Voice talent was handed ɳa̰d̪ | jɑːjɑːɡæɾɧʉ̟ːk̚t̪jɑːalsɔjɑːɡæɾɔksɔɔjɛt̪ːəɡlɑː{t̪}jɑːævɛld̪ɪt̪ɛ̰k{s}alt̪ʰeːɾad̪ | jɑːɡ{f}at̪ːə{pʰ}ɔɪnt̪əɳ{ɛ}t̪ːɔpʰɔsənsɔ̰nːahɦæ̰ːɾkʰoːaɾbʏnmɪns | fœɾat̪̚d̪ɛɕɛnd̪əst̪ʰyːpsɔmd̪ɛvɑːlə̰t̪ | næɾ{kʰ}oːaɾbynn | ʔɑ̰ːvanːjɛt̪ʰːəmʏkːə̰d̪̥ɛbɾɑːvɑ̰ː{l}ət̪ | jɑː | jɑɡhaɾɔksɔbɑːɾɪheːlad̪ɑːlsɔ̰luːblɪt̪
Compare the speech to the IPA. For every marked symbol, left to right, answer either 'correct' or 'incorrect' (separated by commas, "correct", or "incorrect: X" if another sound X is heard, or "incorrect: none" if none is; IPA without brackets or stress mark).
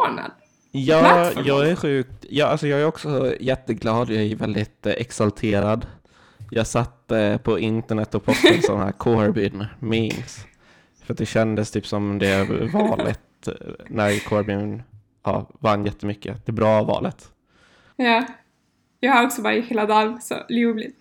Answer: incorrect: d̪, correct, incorrect: s, correct, correct, correct, correct